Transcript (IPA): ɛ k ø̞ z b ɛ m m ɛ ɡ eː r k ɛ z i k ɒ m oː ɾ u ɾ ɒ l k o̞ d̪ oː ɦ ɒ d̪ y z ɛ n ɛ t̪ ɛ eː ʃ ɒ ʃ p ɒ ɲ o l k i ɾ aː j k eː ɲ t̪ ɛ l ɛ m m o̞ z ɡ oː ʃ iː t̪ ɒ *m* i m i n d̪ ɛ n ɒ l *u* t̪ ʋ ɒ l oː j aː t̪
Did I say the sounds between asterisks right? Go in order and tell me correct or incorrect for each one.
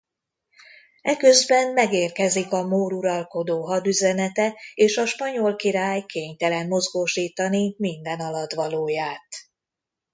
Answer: incorrect, incorrect

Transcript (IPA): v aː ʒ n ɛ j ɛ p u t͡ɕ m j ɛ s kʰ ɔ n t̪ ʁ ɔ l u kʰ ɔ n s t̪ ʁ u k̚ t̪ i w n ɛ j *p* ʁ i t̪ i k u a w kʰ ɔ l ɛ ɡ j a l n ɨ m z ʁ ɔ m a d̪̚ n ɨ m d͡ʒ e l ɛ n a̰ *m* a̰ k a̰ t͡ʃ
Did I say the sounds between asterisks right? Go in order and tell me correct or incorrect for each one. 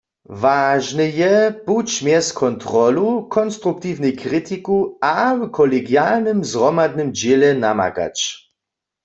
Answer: incorrect, correct

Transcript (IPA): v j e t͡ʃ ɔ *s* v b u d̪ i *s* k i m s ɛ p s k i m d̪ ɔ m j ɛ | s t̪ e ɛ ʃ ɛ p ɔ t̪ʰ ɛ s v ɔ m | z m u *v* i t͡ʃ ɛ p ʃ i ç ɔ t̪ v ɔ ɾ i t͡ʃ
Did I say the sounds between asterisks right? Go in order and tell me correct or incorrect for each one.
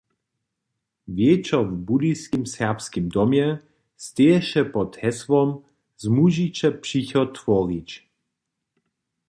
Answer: incorrect, correct, incorrect

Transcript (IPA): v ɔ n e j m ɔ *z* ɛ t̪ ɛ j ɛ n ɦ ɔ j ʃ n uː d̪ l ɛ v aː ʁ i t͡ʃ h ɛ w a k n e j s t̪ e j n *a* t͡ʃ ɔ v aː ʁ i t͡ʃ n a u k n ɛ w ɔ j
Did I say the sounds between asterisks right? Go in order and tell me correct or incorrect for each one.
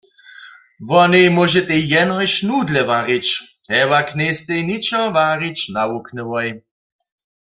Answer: incorrect, incorrect

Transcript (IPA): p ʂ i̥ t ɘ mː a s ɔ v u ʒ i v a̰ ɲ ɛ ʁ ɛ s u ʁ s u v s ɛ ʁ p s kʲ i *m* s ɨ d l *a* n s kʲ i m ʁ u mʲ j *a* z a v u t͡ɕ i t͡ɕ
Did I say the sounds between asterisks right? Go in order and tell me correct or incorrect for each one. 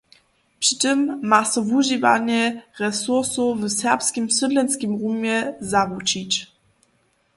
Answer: correct, incorrect, incorrect

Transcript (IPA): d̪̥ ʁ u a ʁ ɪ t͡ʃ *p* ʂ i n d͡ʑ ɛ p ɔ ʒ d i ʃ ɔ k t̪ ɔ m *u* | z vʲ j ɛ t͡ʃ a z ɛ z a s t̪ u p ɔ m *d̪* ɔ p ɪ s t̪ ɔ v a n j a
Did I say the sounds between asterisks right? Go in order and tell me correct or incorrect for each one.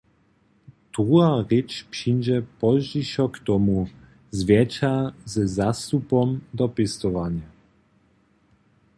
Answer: correct, correct, correct

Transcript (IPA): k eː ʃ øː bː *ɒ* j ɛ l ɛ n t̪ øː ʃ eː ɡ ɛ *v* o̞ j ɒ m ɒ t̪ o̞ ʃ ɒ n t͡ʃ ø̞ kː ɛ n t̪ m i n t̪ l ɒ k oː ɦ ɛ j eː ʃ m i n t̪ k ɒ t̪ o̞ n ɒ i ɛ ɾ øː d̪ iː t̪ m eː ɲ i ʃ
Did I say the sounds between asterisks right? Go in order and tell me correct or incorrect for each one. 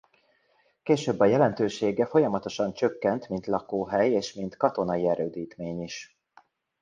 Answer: correct, incorrect

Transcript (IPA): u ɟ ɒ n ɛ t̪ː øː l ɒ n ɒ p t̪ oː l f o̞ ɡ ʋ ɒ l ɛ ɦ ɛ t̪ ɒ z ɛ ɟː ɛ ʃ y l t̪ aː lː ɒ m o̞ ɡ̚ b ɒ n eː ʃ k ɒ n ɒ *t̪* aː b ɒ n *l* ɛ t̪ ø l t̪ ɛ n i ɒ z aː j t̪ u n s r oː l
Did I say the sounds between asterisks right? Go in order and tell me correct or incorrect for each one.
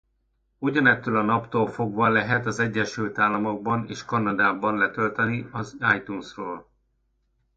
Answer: incorrect, correct

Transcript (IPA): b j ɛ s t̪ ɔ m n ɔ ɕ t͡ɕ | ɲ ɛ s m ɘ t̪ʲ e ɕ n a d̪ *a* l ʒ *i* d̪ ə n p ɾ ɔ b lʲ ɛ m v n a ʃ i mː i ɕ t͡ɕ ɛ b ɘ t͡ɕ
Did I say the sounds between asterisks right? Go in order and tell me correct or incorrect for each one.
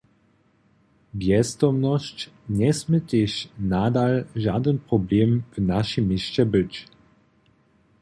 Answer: correct, incorrect

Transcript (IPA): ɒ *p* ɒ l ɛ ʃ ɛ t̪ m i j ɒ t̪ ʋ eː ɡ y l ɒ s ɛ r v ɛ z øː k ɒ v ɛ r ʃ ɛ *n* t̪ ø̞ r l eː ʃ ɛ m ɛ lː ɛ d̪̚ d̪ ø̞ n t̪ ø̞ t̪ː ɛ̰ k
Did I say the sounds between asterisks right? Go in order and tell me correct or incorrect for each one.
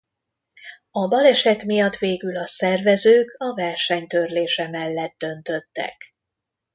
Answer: incorrect, incorrect

